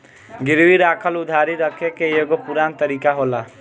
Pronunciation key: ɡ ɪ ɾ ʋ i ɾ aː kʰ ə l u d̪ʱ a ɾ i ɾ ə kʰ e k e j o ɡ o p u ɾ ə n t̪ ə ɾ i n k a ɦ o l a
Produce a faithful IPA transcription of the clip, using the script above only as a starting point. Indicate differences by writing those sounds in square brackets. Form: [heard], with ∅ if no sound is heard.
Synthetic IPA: ɡ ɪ ɾ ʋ i ɾ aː kʰ ə l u d̪ʱ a ɾ i ɾ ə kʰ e k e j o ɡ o p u ɾ [a] n t̪ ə ɾ i [∅] k a ɦ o l a